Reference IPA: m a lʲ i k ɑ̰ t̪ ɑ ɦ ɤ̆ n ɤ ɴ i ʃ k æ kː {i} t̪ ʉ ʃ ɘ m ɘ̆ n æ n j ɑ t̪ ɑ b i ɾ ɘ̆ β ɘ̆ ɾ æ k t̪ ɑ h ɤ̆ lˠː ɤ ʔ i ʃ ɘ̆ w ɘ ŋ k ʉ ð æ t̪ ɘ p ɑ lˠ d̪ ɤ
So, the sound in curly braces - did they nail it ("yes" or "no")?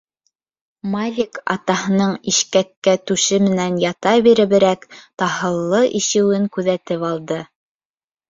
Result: no